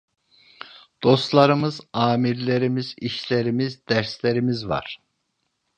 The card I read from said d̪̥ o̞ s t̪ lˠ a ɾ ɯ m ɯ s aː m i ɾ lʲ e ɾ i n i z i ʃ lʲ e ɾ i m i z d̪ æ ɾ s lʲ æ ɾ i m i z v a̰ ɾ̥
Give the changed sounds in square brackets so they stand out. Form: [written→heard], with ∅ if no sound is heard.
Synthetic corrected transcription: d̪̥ o̞ s t̪ lˠ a ɾ ɯ m ɯ [s→z] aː m i ɾ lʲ e ɾ i [n→m] i z i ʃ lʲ e ɾ i m i z d̪ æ ɾ s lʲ [æ→e] ɾ i m i z v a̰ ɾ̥